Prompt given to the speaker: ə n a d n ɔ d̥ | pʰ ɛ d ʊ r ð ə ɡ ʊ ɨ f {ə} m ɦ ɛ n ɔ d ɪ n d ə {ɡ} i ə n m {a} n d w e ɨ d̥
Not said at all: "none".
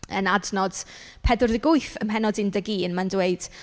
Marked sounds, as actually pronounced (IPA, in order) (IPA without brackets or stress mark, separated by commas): ə, ɡ, a